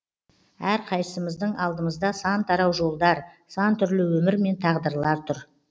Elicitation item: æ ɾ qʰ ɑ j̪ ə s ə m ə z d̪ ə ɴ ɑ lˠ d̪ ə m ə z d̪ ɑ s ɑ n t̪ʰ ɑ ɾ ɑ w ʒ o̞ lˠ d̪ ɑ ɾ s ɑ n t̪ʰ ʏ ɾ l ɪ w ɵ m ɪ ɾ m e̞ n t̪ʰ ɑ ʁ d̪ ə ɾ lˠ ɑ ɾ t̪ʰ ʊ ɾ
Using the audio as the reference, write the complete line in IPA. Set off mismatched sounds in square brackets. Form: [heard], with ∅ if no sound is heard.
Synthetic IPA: æ ɾ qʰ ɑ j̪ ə s ə m ə z d̪ ə ɴ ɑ lˠ d̪ ə m ə z d̪ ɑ s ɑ n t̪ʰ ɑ ɾ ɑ w ʒ o̞ lˠ d̪ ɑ ɾ s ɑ n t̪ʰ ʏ ɾ l ɪ w ɵ m ɪ ɾ m e̞ n t̪ʰ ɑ ʁ d̪ ə ɾ lˠ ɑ ɾ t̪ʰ ʊ ɾ